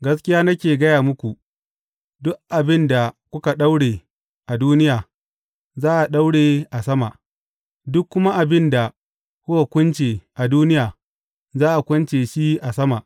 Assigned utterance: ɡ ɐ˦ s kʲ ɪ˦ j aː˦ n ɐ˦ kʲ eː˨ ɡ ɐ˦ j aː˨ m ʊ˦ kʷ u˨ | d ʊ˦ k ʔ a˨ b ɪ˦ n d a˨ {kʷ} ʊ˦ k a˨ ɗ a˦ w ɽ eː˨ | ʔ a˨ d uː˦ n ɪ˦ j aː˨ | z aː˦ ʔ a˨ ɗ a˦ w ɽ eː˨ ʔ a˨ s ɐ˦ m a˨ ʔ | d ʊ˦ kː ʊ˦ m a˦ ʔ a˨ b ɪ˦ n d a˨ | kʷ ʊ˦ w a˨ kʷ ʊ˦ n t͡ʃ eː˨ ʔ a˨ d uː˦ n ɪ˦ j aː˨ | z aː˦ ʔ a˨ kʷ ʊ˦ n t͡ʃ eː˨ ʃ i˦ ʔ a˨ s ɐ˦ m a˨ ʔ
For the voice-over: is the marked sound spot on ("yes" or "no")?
yes